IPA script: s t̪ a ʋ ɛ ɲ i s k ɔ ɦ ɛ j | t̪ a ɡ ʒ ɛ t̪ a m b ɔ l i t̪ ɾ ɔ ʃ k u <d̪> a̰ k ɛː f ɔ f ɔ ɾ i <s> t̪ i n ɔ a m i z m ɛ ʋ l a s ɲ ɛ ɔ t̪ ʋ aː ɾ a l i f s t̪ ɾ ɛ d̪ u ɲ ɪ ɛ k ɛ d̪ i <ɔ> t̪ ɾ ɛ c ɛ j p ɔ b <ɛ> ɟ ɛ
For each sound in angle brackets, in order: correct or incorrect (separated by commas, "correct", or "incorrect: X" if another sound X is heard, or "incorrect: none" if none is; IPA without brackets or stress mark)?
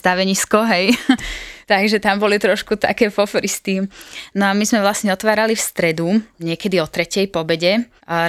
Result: incorrect: t̪, correct, correct, correct